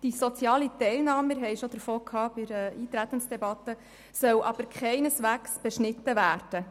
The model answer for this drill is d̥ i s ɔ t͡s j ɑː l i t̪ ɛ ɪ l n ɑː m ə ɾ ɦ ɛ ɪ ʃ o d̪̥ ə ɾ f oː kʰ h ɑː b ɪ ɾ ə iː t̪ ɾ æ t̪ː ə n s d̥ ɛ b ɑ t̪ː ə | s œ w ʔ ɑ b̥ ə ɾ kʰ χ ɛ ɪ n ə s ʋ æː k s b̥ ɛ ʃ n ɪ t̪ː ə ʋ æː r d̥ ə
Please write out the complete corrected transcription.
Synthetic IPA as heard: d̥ i s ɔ t͡s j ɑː l i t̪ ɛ ɪ l n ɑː m ə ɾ ɦ ɛ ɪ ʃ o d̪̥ ə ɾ f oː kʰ h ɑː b ɪ ɾ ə iː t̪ ɾ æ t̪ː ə n s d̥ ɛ b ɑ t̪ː ə | s œ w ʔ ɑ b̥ ə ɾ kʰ χ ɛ ɪ n ə s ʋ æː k s b̥ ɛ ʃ n ɪ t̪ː ə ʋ æː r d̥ ə